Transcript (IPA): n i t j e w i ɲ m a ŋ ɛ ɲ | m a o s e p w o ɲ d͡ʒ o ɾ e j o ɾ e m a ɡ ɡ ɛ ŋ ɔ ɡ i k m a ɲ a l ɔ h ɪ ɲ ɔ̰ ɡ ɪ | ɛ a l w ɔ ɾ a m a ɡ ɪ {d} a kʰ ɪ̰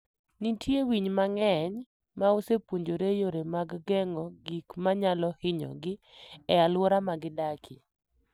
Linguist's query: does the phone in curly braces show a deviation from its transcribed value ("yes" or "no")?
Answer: no